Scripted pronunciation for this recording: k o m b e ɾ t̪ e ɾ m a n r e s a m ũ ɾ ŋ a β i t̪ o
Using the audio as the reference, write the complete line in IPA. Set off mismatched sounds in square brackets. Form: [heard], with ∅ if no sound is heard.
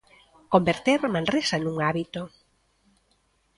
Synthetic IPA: k o m b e ɾ t̪ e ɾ m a n r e s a [n] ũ [∅] ŋ a β i t̪ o